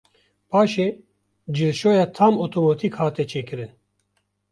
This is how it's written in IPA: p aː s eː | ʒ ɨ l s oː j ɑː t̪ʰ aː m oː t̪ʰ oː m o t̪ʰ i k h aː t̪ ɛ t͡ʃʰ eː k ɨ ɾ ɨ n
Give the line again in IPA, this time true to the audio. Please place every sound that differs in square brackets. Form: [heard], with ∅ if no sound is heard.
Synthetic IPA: p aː [ʃ] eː | [d͡ʒ] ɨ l [ʃ] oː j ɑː t̪ʰ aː m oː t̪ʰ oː m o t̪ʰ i k h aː t̪ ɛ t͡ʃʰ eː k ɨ ɾ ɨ n